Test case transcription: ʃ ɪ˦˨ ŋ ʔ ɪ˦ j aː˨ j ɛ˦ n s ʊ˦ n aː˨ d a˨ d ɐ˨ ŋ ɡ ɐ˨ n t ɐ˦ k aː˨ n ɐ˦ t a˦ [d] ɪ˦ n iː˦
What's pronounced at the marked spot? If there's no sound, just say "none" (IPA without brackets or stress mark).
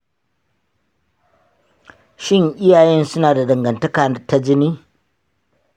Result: d͡ʒ